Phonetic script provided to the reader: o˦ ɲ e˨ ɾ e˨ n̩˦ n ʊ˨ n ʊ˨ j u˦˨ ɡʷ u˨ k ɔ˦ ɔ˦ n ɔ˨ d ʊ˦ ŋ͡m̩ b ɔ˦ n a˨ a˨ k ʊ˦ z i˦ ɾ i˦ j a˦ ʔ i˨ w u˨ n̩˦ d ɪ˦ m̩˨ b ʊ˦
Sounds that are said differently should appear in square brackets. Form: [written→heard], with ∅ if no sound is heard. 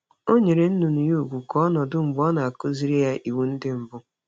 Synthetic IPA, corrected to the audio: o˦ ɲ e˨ ɾ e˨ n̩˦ n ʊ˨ n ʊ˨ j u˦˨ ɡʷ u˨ k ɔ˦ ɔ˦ n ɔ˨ d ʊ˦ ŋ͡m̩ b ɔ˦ n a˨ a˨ k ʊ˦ z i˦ ɾ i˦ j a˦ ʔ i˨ w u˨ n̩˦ d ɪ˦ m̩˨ b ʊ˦